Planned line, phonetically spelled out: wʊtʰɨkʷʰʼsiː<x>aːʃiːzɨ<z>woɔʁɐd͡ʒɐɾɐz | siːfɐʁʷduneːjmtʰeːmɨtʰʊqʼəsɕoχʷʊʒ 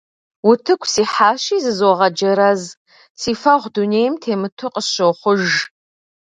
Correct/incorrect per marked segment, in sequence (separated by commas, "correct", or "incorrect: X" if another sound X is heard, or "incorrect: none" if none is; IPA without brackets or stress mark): incorrect: ħ, correct